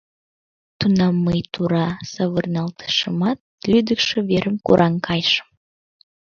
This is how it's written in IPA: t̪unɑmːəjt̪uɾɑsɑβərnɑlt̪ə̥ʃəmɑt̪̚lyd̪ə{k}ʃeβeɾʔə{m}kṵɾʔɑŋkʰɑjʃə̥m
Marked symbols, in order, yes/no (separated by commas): yes, yes